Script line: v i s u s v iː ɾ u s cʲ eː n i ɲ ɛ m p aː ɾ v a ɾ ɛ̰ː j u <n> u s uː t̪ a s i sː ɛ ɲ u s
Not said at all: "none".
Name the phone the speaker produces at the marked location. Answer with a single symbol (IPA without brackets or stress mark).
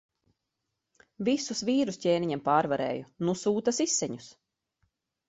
n